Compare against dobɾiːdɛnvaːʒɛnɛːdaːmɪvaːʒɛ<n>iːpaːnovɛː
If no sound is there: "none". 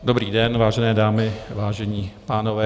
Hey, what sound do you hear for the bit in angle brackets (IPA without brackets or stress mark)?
ɲ